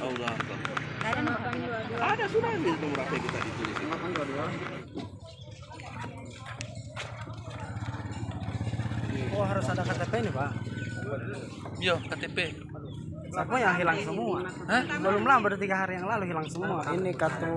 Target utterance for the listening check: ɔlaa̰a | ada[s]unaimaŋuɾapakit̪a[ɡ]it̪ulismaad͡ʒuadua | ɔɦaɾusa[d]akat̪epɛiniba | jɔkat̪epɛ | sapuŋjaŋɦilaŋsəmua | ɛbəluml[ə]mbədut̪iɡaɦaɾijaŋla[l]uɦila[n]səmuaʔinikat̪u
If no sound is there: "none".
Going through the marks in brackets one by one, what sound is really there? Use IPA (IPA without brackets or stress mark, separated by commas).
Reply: s, d, d, a, l, ŋ